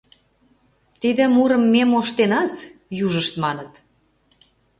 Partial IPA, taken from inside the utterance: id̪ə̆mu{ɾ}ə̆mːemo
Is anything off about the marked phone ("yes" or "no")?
no